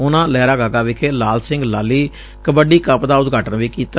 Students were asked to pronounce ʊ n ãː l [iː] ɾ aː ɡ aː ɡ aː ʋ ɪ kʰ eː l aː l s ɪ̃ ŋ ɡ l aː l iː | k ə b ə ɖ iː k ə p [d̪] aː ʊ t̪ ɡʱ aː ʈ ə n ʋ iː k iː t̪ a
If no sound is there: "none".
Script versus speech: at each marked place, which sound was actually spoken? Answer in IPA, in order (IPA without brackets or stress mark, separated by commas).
ɛː, d̪